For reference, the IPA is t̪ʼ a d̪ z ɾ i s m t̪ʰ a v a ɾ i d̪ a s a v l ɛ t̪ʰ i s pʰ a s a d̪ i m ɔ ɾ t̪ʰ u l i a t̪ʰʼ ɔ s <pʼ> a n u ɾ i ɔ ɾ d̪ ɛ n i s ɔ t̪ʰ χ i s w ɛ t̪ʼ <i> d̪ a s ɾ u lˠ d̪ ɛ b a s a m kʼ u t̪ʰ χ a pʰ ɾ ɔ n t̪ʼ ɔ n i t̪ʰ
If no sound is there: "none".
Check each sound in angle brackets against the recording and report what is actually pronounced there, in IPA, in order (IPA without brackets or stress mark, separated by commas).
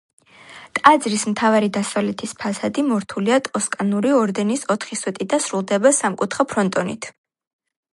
kʼ, i